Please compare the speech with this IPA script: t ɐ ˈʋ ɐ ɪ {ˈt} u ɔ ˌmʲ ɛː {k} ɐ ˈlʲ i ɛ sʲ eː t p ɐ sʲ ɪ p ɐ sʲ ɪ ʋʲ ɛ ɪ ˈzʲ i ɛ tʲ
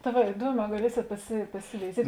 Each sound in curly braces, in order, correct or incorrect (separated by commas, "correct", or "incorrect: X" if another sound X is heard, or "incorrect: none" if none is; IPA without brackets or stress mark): incorrect: d, incorrect: ɡ